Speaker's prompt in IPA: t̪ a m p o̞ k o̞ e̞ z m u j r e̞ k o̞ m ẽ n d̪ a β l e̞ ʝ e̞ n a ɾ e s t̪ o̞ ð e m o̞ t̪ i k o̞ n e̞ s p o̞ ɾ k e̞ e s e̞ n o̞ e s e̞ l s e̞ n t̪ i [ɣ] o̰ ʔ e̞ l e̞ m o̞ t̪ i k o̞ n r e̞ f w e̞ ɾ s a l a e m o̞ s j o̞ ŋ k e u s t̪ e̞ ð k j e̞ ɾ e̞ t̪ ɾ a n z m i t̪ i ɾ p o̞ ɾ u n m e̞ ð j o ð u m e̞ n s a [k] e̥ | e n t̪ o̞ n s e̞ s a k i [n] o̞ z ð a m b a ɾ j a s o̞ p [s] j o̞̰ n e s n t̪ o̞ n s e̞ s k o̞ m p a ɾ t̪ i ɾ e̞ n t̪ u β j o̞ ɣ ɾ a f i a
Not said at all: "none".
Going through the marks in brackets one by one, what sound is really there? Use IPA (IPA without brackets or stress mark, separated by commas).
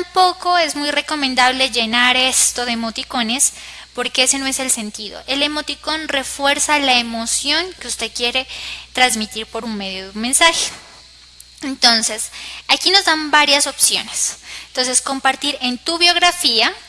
ð, x, n, s